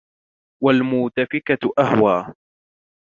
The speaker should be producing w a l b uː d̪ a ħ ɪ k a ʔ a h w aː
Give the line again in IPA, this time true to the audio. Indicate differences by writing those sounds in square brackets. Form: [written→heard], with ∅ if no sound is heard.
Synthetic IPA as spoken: w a l [b→m] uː [d̪→t̪] a [ħ→f] ɪ k a ʔ a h w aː